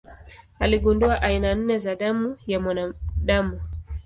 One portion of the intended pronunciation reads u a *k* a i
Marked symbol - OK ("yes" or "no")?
no